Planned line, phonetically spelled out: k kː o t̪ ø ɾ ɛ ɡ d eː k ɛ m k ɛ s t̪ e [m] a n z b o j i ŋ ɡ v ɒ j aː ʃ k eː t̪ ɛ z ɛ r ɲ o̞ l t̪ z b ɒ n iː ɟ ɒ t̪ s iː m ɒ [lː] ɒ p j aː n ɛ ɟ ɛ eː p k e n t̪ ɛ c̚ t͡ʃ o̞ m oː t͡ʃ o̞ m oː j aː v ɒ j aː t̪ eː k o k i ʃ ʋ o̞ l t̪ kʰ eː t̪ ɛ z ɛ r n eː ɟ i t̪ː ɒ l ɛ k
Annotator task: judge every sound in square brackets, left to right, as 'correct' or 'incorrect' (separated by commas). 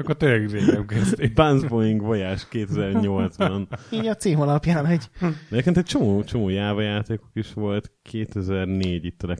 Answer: incorrect, incorrect